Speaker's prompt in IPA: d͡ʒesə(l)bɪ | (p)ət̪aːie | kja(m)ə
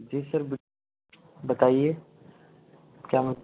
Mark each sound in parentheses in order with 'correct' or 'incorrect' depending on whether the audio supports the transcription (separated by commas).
incorrect, incorrect, correct